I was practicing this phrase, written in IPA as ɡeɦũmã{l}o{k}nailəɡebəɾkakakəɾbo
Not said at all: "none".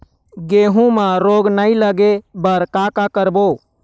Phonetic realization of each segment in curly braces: ɾ, ɡ

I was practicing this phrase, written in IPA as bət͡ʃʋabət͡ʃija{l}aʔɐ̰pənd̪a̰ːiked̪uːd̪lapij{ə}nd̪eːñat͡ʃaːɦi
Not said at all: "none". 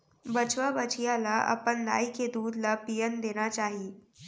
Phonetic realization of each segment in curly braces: l, ə

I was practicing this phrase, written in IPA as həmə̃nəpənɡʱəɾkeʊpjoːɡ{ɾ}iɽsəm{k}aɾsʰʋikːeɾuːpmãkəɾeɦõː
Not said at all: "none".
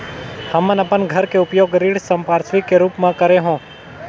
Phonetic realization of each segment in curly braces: ɾ, p

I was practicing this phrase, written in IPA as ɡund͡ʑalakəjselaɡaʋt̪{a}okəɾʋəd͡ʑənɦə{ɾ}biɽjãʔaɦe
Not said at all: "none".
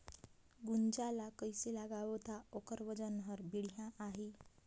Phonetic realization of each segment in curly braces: a, ɾ

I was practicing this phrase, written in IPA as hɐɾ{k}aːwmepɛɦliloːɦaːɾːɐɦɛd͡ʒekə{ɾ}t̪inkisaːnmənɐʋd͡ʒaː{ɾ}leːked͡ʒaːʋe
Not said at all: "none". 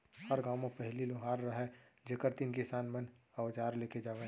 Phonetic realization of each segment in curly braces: ɡ, ɾ, ɾ

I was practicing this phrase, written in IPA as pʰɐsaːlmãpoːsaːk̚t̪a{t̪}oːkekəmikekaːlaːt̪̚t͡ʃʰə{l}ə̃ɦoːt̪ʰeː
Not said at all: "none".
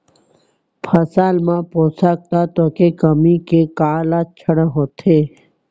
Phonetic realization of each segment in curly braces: t̪, ɽ

